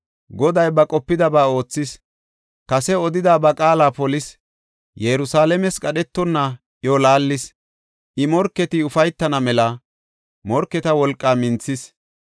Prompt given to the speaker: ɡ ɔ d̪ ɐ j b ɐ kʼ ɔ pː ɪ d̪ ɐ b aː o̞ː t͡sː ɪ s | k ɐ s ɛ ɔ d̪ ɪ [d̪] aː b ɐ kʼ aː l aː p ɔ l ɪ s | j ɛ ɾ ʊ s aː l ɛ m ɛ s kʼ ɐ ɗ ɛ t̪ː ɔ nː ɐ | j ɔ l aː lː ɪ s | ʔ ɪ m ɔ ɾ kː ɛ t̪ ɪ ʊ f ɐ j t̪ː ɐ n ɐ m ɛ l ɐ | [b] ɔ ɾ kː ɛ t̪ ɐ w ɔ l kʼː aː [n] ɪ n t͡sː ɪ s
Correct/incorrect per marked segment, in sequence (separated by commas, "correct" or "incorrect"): correct, incorrect, incorrect